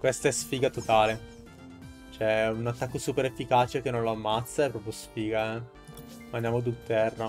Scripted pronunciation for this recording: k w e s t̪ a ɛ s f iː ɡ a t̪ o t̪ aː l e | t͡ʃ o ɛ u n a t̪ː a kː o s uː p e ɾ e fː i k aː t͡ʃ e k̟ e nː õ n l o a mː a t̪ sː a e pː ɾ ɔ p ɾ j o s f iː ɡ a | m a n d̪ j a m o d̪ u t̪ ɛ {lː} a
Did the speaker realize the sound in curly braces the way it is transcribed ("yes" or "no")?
no